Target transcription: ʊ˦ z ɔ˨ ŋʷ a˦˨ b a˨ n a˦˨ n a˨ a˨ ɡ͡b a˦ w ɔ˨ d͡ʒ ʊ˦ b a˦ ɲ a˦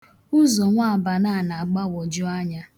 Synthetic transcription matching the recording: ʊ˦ z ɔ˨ ŋʷ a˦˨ b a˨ n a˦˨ n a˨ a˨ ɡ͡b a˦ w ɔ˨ d͡ʒ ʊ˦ a˦ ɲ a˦